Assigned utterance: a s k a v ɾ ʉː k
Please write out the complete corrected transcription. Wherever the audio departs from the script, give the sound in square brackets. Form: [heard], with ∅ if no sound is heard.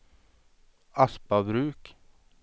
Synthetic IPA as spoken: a s [p] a [b] ɾ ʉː k